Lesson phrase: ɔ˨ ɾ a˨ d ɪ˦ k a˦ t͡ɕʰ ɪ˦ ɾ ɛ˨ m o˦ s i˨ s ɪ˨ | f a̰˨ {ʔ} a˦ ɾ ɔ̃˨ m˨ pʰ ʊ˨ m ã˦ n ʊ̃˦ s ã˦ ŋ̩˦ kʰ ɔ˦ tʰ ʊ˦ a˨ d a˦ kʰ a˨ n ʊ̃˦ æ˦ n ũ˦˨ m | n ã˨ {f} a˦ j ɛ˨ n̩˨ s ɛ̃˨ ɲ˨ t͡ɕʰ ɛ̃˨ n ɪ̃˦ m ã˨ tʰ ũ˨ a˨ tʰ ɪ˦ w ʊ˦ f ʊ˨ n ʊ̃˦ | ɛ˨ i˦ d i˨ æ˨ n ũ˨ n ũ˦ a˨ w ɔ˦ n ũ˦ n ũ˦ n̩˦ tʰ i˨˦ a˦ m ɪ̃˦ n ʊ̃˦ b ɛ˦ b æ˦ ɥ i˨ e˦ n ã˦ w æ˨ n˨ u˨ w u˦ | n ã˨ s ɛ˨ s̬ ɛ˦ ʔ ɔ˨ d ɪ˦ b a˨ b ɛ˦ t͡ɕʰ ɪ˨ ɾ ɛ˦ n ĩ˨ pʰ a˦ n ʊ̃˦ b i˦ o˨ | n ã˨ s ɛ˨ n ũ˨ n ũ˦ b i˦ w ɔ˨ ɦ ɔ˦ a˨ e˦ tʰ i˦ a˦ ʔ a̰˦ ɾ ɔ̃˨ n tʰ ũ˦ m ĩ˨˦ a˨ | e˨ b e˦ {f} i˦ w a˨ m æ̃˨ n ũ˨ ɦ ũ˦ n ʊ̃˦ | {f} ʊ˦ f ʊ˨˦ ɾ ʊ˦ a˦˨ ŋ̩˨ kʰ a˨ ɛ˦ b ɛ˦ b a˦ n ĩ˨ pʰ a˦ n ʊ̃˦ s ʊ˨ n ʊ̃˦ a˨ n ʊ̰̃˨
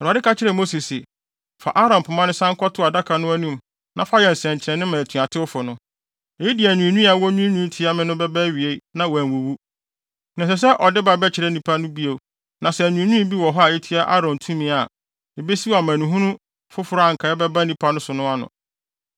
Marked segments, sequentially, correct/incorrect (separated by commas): correct, correct, incorrect, correct